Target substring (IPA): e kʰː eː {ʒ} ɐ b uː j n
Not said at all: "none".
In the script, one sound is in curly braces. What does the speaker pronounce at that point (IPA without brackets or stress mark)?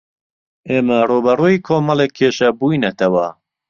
ʃ